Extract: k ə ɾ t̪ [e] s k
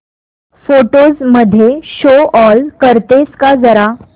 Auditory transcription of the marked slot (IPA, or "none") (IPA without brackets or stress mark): e